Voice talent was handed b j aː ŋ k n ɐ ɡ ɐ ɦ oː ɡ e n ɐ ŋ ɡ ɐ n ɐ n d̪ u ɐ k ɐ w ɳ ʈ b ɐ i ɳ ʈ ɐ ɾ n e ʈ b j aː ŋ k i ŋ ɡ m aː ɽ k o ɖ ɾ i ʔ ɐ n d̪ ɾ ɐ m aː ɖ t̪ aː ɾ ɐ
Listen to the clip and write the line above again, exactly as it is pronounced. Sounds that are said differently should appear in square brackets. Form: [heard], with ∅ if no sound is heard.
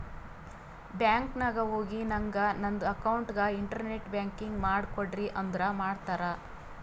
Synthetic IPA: b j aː ŋ k n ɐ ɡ ɐ ɦ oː ɡ [i] n ɐ ŋ ɡ ɐ n ɐ n d̪ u ɐ k ɐ w ɳ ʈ [ɡ] ɐ i ɳ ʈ ɐ ɾ n e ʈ b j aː ŋ k i ŋ ɡ m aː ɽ k o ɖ ɾ i ʔ ɐ n d̪ ɾ ɐ m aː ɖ t̪ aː ɾ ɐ